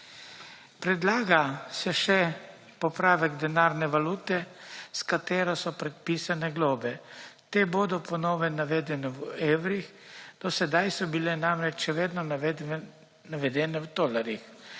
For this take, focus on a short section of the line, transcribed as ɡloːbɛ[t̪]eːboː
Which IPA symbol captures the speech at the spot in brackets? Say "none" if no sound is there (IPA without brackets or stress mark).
t̪